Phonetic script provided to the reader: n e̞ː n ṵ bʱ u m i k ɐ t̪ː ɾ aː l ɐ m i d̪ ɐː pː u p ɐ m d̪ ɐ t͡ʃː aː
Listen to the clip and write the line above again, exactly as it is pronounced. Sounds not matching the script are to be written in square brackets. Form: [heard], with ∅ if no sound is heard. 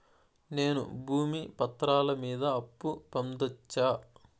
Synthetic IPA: n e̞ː n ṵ bʱ [uː] m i [p] ɐ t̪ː ɾ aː l ɐ m [iː] d̪ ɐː pː u p ɐ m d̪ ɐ t͡ʃː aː